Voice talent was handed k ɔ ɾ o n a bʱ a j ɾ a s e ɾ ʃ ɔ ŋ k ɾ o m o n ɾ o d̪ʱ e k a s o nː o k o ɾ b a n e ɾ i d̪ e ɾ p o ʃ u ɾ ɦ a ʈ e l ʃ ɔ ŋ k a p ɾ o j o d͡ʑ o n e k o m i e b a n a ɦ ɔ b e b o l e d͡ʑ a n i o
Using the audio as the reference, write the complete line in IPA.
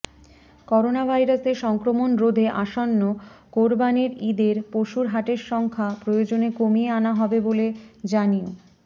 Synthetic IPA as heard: k ɔ ɾ o n a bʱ a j ɾ a s e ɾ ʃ ɔ ŋ k ɾ o m o n ɾ o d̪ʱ e ʔ a ʃ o nː o k o ɾ b a n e ɾ i d̪ e ɾ p o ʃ u ɾ ɦ a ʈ e ɾ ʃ ɔ ŋ kʰ a p ɾ o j o d͡ʑ o n e k o m i e a n a ɦ ɔ b e b o l e d͡ʑ a n i o